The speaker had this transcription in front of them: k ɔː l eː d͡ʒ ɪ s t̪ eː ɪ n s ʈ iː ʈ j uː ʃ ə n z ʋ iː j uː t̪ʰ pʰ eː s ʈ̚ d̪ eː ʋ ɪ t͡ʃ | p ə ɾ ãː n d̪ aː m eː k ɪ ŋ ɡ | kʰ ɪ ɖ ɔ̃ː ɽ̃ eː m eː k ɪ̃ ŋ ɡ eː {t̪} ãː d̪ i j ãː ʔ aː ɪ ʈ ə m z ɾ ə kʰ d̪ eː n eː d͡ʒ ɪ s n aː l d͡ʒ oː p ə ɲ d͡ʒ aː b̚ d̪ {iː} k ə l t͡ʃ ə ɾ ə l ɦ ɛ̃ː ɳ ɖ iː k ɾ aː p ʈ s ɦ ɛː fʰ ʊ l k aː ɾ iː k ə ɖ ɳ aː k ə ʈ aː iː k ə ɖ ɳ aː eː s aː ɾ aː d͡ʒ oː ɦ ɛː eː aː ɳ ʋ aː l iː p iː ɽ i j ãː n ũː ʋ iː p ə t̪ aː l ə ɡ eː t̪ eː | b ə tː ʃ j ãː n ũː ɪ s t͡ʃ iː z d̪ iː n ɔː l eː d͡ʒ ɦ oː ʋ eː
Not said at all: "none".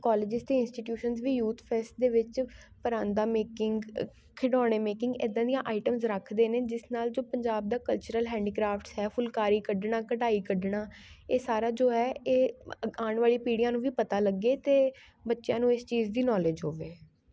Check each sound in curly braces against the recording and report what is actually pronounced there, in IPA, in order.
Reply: d̪, aː

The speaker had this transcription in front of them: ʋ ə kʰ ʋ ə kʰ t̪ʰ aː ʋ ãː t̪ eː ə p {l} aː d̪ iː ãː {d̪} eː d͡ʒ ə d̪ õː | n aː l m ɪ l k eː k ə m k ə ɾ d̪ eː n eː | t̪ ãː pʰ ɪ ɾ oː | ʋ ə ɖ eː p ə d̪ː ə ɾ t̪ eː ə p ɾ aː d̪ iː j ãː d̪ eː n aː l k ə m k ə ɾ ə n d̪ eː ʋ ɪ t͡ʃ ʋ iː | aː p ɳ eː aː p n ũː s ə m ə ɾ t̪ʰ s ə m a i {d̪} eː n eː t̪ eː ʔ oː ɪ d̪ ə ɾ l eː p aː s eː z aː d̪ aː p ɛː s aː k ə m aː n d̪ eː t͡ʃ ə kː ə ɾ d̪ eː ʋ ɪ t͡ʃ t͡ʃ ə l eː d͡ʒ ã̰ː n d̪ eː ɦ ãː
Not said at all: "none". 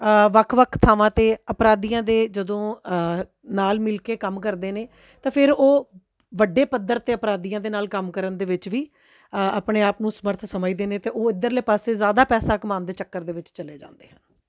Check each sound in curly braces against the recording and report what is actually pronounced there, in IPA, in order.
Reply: ɾ, d̪, d̪

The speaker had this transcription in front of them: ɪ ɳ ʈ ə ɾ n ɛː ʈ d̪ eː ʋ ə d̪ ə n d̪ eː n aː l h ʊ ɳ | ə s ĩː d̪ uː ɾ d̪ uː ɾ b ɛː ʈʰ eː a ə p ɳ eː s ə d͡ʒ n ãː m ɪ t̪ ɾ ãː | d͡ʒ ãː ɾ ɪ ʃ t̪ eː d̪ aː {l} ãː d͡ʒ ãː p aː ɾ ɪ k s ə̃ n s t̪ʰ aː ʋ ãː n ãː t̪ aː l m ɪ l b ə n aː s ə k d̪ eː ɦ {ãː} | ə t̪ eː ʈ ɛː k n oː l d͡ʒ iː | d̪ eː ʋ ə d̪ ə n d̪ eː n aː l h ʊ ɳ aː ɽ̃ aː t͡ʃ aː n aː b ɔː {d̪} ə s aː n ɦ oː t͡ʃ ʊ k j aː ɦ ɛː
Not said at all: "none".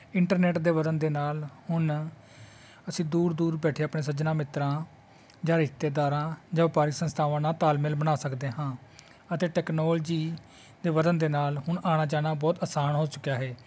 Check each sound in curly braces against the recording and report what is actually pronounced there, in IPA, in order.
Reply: ɾ, ãː, t̪

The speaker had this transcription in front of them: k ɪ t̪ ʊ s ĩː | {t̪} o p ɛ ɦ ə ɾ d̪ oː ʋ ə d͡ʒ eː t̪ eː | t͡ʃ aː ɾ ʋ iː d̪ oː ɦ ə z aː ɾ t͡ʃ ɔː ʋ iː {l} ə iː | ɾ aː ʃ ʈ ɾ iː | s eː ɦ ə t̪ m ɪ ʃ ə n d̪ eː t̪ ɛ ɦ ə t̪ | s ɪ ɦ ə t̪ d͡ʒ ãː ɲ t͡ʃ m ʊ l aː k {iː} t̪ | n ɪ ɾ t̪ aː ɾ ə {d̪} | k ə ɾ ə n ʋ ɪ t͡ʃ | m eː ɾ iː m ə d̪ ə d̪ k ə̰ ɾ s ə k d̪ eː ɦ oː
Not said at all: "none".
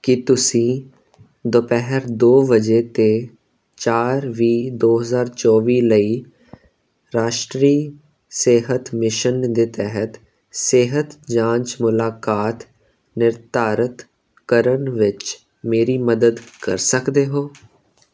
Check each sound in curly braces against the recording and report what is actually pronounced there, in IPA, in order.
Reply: d̪, l, aː, t̪

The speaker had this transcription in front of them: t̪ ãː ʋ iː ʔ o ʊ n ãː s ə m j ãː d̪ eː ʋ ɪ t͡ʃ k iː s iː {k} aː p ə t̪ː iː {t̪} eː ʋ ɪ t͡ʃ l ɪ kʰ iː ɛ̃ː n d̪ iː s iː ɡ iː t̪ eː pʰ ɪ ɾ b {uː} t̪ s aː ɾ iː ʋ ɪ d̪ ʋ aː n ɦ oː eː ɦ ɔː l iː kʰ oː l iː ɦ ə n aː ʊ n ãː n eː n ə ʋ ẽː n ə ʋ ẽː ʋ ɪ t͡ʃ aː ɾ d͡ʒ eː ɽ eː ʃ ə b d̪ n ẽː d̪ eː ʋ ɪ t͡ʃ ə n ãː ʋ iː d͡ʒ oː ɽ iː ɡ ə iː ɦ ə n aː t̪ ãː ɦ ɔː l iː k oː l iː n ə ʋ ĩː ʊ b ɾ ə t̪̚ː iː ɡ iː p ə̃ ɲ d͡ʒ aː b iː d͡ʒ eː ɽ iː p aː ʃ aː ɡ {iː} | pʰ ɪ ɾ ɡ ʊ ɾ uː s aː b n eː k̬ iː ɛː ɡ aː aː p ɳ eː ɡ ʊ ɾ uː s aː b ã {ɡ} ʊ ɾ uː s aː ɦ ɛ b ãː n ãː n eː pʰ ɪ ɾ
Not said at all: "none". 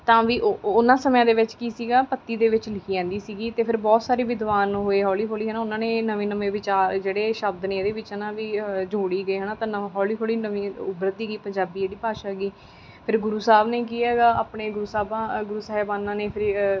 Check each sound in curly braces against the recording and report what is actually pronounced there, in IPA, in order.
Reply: ɡ, d̪, ɔː, iː, ɡ

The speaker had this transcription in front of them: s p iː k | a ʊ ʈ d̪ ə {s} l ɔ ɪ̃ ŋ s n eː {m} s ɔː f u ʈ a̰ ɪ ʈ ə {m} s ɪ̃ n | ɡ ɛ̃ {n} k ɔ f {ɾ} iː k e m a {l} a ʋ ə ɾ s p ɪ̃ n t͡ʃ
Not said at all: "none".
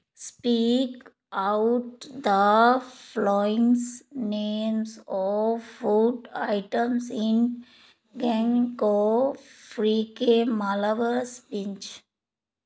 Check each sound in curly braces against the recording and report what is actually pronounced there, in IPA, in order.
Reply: f, m, m, ŋ, ɾ, l

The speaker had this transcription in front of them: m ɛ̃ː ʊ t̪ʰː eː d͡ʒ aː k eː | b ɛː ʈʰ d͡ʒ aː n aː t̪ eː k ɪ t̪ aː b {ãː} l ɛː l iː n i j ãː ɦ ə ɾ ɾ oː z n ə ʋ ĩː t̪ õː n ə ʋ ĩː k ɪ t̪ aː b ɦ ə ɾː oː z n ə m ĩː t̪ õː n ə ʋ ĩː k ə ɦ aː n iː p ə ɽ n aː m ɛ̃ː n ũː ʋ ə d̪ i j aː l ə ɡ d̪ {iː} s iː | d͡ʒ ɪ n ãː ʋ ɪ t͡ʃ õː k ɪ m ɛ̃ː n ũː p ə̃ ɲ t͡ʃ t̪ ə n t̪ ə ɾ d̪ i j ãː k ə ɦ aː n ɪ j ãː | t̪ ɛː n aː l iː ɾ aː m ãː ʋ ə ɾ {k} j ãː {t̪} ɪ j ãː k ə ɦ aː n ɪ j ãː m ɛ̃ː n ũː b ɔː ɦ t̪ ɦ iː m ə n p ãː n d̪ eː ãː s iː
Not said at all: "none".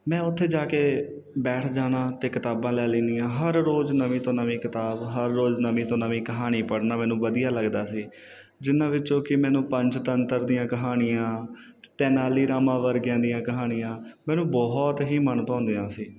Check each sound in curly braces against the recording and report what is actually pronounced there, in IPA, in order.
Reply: ãː, aː, ɡ, d̪

